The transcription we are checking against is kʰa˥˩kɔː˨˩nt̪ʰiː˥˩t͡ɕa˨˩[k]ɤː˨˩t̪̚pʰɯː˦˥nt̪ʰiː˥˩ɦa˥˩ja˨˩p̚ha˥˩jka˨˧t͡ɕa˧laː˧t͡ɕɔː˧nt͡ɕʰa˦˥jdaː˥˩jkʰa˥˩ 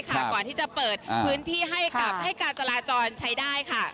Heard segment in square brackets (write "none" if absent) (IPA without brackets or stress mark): p